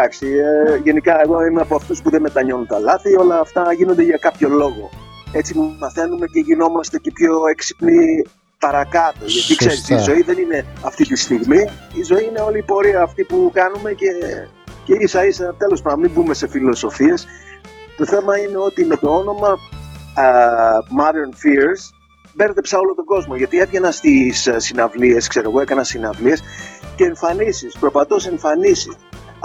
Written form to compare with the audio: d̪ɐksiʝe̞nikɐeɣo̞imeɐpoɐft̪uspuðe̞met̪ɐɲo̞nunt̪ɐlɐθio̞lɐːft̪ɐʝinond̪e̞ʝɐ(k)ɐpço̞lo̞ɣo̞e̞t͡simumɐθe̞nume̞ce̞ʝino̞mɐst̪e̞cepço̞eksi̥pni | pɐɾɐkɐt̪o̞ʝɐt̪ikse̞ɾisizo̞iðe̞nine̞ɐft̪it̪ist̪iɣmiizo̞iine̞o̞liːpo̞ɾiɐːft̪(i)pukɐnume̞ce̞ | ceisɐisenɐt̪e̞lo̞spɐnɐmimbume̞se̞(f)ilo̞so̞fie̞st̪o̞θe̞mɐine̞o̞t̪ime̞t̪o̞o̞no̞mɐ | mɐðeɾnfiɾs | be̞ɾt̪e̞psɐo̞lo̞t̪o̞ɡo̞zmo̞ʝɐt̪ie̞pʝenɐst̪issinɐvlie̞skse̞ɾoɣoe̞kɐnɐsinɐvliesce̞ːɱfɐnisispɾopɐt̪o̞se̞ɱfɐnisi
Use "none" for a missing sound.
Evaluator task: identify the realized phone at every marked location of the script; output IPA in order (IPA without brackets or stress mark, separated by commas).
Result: k, i, f